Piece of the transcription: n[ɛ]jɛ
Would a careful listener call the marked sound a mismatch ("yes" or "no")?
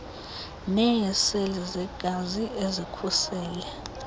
no